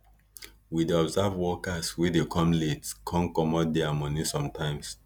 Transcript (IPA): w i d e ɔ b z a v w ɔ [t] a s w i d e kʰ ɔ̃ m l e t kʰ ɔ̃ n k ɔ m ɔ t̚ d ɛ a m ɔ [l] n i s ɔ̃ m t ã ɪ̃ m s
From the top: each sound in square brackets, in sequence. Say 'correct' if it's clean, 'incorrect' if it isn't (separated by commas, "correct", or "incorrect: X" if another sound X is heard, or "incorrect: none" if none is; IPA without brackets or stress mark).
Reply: incorrect: k, incorrect: none